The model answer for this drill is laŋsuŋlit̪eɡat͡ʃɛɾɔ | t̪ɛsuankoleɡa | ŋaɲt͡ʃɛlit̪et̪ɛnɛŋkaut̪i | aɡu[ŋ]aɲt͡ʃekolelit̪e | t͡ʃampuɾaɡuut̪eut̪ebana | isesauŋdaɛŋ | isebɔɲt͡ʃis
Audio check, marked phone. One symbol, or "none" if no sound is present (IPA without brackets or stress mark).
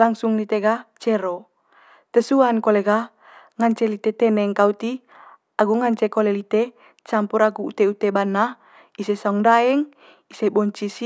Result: ŋ